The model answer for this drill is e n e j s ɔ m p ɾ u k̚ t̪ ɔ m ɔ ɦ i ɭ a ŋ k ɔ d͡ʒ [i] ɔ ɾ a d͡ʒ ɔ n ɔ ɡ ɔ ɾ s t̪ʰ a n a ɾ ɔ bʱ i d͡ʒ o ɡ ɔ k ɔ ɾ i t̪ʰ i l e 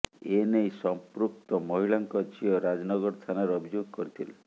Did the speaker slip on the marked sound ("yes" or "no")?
no